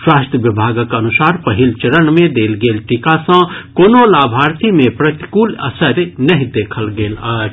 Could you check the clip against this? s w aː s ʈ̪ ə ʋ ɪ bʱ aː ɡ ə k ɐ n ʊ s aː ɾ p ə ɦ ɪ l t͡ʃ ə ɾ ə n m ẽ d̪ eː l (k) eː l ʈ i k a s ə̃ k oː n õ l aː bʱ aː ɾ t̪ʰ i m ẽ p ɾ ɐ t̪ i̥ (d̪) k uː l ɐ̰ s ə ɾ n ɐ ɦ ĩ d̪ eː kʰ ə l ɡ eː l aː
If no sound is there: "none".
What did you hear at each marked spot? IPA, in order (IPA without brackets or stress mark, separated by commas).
ɡ, none